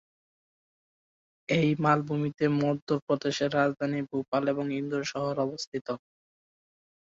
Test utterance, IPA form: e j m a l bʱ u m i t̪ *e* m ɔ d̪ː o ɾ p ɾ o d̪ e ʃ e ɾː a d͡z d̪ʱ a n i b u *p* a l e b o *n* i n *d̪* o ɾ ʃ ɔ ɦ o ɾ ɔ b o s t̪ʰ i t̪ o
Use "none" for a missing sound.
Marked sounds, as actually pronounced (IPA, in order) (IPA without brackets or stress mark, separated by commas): e, p, ŋ, d̪